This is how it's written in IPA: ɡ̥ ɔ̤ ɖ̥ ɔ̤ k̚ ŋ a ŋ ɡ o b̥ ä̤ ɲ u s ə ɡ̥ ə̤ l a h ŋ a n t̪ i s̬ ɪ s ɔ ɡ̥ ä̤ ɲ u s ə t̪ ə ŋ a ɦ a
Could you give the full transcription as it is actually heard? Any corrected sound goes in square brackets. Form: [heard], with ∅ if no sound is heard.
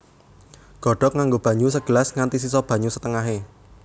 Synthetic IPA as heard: ɡ̥ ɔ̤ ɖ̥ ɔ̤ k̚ ŋ a ŋ ɡ o b̥ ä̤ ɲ u s ə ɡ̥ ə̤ l a [s] ŋ a n t̪ i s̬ [i] s ɔ [b̥] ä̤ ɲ u s ə t̪ ə ŋ a ɦ [e]

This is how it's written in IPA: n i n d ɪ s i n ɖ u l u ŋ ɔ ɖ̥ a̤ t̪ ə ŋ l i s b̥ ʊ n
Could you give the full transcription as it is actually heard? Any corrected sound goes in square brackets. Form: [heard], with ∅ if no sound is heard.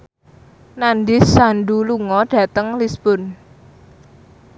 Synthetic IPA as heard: n [a] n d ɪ s [a] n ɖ u l u ŋ ɔ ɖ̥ a̤ t̪ ə ŋ l i s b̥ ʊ n

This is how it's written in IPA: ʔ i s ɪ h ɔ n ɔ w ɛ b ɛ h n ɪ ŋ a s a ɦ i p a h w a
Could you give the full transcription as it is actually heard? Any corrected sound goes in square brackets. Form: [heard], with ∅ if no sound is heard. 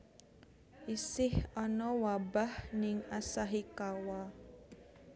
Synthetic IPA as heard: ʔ i s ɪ h ɔ n ɔ w [a] b [a] h n ɪ ŋ a s a ɦ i [k] a [∅] w a

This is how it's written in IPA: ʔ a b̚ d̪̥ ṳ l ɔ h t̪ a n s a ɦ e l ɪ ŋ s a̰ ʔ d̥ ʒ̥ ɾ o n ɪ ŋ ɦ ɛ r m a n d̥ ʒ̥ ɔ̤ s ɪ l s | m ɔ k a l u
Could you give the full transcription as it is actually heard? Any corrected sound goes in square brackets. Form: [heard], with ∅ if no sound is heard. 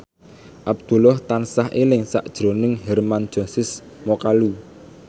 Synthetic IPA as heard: ʔ a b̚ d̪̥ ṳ l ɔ h t̪ a n s a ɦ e l ɪ ŋ s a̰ ʔ d̥ ʒ̥ ɾ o n ɪ ŋ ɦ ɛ r m a n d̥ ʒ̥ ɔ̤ s ɪ [∅] s | m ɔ k a l u

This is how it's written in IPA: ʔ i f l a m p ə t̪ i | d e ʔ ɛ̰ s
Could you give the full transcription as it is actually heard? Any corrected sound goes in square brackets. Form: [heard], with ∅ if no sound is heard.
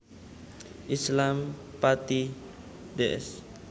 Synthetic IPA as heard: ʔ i [s] l a m p [a] t̪ i | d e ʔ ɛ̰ s

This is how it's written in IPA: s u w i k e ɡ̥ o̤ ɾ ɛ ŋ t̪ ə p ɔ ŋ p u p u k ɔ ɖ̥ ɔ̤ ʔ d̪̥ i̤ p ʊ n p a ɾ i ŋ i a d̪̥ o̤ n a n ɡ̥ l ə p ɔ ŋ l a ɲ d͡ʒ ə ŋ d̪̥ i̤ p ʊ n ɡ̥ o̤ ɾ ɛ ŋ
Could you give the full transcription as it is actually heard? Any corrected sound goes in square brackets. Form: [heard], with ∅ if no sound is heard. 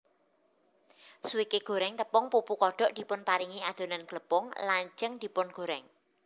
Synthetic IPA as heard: s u w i k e ɡ̥ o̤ ɾ ɛ ŋ t̪ ə p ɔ ŋ p u p u k ɔ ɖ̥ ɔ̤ ʔ d̪̥ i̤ p ʊ n p a ɾ i ŋ i a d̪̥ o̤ n a n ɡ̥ l ə p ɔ ŋ l a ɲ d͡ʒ ə ŋ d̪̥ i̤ p ʊ n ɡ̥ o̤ ɾ ɛ ŋ

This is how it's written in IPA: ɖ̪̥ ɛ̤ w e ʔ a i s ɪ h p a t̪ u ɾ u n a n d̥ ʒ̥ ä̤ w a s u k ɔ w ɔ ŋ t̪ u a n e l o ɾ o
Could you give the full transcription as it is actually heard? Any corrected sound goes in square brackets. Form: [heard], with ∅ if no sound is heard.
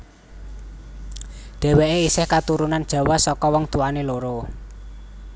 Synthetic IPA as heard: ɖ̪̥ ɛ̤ w e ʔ [e] i s ɪ h [k] a t̪ u ɾ u n a n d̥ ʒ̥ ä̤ w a s [ɔ] k ɔ w ɔ ŋ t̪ u a n e l o ɾ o

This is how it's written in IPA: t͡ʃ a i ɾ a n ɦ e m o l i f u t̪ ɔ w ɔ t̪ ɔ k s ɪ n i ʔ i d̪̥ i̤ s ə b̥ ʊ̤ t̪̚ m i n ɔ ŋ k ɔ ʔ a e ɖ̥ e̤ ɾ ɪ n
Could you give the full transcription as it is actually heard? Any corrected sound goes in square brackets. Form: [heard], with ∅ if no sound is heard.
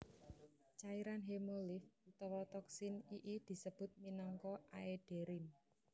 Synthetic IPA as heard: t͡ʃ a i ɾ a n ɦ e m o l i f u t̪ ɔ w ɔ t̪ ɔ k s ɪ n i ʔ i d̪̥ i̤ s ə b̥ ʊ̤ t̪̚ m i n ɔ ŋ k ɔ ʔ a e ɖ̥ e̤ ɾ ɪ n

